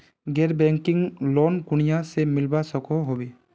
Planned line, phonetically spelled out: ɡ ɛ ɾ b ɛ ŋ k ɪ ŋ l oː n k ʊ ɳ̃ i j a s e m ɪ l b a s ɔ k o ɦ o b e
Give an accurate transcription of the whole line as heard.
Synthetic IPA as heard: ɡ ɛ ɾ b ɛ ŋ k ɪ ŋ l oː n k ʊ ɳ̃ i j a s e m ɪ l b a s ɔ k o ɦ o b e